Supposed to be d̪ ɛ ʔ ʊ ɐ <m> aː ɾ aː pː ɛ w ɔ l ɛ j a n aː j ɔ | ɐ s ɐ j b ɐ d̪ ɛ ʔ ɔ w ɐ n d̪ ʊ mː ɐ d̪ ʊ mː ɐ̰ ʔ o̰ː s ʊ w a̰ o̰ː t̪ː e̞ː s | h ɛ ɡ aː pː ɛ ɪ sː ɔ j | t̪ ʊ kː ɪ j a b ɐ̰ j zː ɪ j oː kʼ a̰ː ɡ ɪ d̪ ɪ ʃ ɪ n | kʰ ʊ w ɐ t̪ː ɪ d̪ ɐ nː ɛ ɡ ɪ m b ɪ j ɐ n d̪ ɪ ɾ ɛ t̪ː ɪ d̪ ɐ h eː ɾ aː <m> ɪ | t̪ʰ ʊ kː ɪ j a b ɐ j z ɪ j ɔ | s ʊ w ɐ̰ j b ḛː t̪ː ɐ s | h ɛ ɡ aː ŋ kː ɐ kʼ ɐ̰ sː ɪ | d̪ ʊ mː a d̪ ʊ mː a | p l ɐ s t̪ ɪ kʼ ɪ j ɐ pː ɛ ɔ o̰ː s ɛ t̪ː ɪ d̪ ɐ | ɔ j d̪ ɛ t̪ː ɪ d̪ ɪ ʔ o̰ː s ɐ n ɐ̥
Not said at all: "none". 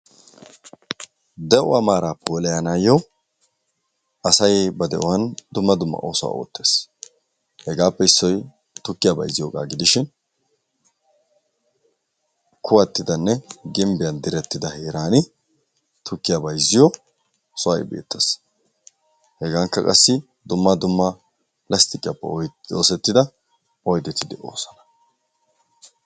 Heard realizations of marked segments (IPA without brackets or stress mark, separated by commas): m, n